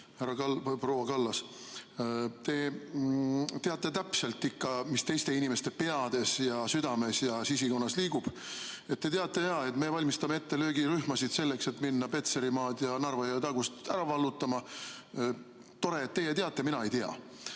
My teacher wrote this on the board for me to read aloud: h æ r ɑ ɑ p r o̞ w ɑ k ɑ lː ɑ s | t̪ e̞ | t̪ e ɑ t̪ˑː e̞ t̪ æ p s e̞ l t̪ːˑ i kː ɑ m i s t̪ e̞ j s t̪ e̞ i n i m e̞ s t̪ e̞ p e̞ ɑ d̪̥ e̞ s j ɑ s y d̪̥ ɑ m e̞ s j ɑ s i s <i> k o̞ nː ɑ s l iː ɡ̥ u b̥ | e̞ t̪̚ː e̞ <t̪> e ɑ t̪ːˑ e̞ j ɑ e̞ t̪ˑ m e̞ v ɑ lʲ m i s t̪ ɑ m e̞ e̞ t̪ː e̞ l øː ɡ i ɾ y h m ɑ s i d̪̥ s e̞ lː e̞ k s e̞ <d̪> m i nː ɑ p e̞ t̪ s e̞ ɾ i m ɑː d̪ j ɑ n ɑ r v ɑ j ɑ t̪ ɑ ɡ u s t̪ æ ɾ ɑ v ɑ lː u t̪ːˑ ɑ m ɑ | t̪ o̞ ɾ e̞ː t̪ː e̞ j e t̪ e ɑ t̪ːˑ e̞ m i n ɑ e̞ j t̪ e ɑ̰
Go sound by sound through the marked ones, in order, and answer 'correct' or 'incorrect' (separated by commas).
correct, correct, incorrect